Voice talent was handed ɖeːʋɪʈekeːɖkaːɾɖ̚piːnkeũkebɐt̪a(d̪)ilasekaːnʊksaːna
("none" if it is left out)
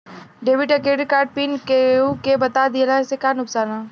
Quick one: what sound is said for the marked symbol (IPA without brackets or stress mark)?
d̪